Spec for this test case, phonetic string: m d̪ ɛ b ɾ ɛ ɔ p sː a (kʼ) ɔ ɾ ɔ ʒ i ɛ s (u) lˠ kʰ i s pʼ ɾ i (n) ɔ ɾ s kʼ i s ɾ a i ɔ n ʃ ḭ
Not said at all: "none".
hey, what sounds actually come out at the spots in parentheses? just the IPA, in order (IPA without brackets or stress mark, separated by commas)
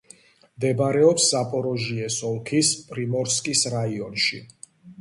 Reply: pʼ, ɔ, m